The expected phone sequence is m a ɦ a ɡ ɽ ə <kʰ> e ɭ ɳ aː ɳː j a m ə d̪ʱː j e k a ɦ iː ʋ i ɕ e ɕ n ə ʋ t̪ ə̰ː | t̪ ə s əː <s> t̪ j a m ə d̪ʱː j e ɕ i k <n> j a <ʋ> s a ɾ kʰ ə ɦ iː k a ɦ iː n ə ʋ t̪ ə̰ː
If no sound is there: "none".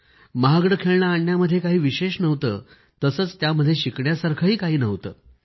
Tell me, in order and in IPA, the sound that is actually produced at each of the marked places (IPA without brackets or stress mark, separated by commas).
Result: kʰ, t͡s, ɳ, none